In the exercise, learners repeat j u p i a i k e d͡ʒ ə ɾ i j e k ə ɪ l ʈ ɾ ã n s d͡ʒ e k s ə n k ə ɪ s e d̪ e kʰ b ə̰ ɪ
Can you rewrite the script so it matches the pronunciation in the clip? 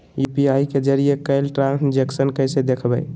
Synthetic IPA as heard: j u p i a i k e d͡ʒ ə ɾ i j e k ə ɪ l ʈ ɾ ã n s d͡ʒ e k s ə n k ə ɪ s e d̪ e kʰ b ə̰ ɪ